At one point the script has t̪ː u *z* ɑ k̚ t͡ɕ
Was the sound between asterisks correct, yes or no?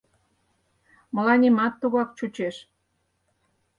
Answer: no